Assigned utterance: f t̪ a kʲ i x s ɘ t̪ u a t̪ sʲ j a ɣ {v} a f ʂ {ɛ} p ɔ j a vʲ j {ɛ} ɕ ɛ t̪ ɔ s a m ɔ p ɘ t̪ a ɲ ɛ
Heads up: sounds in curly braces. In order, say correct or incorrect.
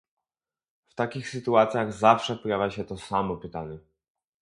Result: incorrect: z, correct, incorrect: a

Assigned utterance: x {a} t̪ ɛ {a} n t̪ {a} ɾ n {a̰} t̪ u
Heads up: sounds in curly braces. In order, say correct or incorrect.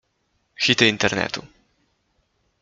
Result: incorrect: i, incorrect: i, incorrect: ɛ, incorrect: ɛ̰

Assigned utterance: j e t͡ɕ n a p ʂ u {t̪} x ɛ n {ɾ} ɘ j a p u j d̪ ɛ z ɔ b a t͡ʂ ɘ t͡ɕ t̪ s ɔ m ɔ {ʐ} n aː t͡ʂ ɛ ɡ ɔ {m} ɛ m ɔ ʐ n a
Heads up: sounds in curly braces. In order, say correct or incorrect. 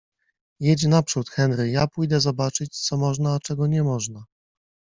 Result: correct, correct, correct, incorrect: ɲ

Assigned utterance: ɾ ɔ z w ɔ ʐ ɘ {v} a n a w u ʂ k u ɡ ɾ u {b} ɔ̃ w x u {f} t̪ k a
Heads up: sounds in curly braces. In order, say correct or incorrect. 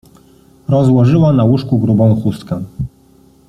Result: incorrect: w, correct, incorrect: s

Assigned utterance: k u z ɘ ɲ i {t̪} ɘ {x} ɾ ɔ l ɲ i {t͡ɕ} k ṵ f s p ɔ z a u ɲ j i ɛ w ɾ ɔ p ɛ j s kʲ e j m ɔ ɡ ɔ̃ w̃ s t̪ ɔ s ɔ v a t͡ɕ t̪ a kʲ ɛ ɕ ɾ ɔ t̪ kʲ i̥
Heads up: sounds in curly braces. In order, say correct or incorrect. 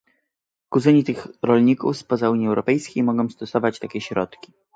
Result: correct, correct, incorrect: none

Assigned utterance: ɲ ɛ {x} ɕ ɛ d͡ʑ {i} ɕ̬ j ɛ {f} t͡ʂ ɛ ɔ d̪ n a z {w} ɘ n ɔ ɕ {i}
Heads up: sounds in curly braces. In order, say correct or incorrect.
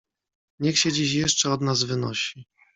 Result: correct, correct, incorrect: ʂ, incorrect: v, correct

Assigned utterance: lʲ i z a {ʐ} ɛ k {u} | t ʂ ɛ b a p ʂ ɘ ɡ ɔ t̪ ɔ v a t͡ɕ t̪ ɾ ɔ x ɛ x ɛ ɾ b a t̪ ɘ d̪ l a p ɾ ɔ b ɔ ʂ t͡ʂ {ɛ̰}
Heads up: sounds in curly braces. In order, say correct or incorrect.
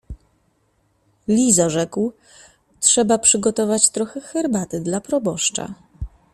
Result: correct, incorrect: w, incorrect: a̰

